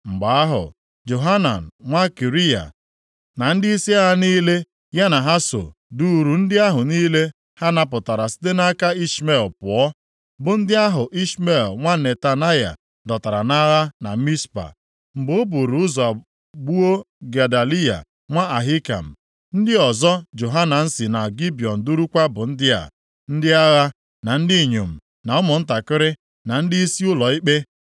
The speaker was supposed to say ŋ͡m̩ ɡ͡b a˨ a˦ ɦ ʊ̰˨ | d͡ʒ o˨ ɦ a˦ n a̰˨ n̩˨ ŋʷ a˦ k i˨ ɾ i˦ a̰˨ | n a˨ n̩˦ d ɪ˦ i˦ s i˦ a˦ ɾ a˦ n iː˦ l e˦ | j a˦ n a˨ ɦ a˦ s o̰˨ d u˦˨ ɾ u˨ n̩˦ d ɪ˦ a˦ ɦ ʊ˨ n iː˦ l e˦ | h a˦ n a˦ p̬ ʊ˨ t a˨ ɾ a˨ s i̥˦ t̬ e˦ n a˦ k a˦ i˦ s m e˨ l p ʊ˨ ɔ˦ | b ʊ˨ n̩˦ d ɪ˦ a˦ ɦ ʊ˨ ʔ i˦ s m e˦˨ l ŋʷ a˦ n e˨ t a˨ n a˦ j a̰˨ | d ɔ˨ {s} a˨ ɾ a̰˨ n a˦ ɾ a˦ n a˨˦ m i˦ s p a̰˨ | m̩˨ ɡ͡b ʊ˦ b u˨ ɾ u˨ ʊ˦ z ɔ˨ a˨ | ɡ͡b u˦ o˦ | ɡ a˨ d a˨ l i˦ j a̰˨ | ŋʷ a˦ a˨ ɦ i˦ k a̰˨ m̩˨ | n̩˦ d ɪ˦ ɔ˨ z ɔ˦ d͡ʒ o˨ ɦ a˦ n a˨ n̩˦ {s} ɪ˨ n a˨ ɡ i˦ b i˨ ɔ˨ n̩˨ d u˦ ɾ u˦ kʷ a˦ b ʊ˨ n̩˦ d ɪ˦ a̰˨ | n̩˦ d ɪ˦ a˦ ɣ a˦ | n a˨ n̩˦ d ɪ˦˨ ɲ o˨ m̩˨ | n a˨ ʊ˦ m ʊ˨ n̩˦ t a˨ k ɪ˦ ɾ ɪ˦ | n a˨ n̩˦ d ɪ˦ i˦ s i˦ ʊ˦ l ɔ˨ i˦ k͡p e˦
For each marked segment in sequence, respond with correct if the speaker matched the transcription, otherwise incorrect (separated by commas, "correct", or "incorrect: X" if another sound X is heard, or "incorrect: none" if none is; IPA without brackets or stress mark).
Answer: incorrect: t, correct